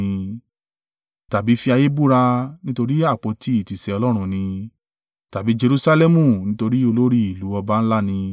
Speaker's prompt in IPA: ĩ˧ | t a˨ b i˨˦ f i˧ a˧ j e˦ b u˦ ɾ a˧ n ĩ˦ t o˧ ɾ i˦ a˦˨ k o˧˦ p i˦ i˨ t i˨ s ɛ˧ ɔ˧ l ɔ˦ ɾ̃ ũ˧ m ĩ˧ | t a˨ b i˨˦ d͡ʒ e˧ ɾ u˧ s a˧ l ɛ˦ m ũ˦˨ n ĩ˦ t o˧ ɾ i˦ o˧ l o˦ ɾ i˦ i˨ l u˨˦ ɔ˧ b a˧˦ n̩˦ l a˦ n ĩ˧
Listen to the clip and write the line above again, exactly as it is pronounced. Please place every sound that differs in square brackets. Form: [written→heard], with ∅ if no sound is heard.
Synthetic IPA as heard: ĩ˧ | t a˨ b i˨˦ f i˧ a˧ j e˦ b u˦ ɾ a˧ n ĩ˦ t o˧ ɾ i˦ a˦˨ [k→k͡p] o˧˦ [p→t] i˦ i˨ t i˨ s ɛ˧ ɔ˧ l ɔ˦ ɾ̃ ũ˧ [m→n] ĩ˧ | t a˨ b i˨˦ d͡ʒ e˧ ɾ u˧ s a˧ l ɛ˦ m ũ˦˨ n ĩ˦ t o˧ ɾ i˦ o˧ l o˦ ɾ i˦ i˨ l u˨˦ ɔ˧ b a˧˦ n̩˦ l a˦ n ĩ˧